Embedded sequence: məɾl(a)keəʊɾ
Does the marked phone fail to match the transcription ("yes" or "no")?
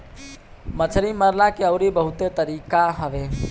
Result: no